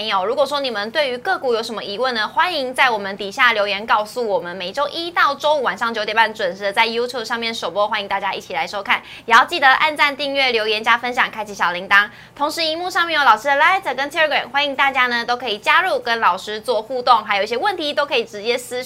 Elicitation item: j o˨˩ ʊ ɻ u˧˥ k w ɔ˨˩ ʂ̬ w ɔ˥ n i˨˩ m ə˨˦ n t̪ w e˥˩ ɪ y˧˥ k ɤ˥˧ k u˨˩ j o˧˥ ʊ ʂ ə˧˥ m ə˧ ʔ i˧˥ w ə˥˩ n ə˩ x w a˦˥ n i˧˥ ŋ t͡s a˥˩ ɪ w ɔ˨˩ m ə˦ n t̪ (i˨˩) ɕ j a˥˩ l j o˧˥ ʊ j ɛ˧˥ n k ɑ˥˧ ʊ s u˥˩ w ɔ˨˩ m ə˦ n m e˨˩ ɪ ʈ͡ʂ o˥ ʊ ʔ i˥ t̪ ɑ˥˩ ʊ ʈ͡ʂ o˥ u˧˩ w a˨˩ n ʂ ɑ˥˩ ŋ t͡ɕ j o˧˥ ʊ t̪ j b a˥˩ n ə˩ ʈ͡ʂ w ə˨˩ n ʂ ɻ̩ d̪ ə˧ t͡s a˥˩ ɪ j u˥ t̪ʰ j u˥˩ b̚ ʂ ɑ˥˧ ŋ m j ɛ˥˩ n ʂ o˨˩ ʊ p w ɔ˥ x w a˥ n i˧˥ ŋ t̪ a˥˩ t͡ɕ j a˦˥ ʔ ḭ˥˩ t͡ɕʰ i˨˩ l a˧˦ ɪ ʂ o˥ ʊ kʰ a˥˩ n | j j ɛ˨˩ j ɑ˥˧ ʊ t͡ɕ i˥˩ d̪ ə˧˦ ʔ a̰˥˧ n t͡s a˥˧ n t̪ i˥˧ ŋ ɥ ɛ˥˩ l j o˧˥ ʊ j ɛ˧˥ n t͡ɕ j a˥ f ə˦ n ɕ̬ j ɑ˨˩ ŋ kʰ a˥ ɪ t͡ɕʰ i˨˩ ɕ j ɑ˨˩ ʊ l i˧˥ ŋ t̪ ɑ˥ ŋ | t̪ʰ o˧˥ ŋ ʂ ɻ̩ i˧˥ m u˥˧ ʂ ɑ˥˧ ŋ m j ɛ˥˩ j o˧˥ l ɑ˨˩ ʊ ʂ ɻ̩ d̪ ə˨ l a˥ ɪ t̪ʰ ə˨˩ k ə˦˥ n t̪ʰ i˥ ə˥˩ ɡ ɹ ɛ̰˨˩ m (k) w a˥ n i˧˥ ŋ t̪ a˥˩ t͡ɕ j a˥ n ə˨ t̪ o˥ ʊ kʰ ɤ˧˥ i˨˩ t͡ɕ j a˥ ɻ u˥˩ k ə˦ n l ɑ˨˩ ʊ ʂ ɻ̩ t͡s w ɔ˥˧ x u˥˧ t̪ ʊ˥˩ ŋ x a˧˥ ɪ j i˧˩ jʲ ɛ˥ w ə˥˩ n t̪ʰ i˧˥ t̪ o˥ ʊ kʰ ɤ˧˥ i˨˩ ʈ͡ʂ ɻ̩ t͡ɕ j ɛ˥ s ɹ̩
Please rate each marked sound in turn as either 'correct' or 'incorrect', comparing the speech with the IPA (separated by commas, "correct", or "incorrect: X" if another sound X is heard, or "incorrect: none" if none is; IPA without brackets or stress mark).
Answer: correct, incorrect: x